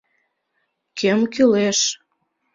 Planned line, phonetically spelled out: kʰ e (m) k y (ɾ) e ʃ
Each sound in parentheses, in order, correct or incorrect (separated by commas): correct, incorrect